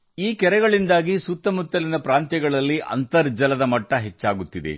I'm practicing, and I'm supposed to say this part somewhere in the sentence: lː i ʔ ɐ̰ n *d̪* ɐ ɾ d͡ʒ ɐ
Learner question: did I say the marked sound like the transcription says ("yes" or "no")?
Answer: no